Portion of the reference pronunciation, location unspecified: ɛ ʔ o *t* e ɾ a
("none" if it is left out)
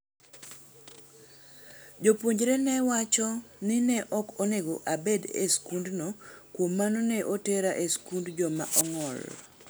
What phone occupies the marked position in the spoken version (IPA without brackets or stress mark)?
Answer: t